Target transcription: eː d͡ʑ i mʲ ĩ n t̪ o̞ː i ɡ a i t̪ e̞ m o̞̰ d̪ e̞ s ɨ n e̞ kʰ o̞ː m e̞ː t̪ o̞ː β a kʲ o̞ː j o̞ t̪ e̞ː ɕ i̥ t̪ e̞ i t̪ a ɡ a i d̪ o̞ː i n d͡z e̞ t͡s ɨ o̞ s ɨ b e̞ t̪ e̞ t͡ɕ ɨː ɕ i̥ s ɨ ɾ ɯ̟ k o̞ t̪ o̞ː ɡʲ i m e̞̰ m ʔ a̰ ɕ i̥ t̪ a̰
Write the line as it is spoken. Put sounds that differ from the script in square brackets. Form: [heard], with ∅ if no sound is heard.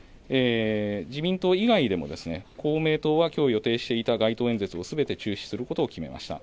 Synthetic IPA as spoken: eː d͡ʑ i mʲ ĩ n t̪ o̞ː i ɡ a i [d̪] e̞ m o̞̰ d̪ e̞ s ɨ n e̞ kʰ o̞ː m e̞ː t̪ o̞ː β a kʲ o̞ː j o̞ t̪ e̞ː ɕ i̥ t̪ e̞ i t̪ a ɡ a i [t̪] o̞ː [e] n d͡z e̞ t͡s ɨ o̞ s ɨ b e̞ t̪ e̞ t͡ɕ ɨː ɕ i̥ s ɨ ɾ ɯ̟ k o̞ t̪ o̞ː [kʲ] i m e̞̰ m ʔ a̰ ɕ i̥ t̪ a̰